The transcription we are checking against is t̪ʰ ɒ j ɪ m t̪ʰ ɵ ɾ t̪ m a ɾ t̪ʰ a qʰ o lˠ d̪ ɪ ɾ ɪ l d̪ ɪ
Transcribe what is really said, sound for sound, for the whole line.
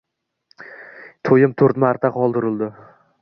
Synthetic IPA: t̪ʰ o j ɪ m t̪ʰ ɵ ɾ t̪ m a ɾ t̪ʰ a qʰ ɒ lˠ d̪ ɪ ɾ ɪ l d̪ ɪ

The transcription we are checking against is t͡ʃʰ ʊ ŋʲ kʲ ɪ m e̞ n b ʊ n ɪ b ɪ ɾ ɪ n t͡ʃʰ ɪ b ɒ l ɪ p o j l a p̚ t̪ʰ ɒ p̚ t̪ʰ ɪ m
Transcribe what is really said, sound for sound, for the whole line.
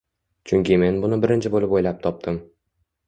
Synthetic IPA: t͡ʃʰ ʊ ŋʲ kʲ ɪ m e̞ n b ʊ n ɪ b ɪ ɾ ɪ n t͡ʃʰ ɪ b o l ɪ p o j l a p̚ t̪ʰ ɒ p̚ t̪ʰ ɪ m

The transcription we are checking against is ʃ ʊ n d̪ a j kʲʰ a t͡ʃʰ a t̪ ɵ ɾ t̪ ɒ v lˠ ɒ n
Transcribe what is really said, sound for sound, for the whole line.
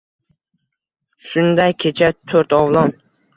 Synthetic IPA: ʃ ʊ n d̪ a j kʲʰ e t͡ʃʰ a t̪ʰ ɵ ɾ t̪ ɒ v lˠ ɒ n

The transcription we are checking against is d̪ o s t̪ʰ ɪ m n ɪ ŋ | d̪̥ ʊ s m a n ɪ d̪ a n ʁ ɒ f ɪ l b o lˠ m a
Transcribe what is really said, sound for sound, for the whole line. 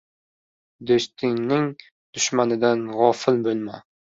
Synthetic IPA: d̪ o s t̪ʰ ɪ ŋ n ɪ ŋ | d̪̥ ʊ ʃ m a n ɪ d̪ a n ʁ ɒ f ɪ l b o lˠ m a

